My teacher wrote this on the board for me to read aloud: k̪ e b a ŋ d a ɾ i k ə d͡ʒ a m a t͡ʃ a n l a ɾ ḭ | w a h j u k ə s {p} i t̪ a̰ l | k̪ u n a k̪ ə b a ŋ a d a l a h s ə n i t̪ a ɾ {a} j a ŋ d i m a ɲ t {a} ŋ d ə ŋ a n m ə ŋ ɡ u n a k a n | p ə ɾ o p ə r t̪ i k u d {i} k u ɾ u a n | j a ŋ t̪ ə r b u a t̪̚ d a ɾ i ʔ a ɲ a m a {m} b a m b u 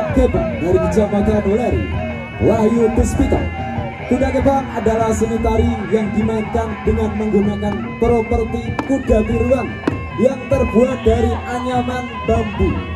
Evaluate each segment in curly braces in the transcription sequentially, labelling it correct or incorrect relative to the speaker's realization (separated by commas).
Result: correct, incorrect, correct, incorrect, incorrect